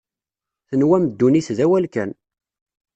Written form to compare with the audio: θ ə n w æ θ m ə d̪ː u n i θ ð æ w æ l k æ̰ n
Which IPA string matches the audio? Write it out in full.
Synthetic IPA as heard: θ ə n w æ m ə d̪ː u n i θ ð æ w æ l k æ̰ n